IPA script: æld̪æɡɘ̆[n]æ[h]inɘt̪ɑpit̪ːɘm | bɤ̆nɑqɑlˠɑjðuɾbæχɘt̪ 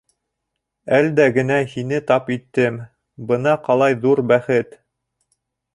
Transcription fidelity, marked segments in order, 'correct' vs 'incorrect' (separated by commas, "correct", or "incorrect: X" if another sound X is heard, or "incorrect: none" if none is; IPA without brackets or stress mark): correct, correct